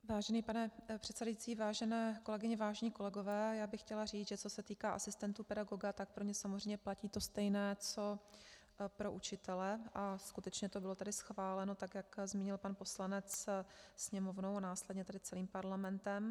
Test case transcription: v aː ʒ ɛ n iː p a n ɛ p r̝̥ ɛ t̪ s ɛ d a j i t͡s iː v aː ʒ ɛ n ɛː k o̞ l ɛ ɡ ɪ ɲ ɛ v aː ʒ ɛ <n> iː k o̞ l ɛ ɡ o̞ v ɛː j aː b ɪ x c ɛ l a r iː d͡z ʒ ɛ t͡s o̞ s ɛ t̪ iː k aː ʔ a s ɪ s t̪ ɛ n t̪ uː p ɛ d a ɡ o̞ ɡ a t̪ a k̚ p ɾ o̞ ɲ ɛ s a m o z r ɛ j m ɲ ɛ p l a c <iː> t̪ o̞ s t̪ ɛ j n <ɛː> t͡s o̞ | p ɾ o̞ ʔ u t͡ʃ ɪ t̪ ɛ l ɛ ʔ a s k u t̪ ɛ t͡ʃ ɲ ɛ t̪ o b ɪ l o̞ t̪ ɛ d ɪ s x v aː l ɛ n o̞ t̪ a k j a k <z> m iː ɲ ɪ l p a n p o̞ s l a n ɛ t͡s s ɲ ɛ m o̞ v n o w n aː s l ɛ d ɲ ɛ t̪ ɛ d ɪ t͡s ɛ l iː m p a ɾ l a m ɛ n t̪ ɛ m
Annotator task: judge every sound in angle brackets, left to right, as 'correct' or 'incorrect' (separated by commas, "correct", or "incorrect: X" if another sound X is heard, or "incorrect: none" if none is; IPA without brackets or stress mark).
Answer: incorrect: ɲ, correct, correct, correct